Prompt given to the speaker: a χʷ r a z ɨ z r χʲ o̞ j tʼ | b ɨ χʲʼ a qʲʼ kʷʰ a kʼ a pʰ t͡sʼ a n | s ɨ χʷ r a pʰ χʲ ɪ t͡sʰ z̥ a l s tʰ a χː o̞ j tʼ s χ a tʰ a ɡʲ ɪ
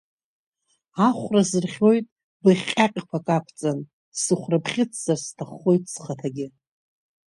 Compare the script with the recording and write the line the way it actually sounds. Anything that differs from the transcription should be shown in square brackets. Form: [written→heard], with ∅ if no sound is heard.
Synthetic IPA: a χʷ r a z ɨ [z→∅] r χʲ o̞ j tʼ | b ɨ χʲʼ a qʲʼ kʷʰ a kʼ a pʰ t͡sʼ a n | s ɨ χʷ r a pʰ χʲ ɪ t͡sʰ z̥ a [l→r] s tʰ a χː o̞ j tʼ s χ a tʰ a ɡʲ ɪ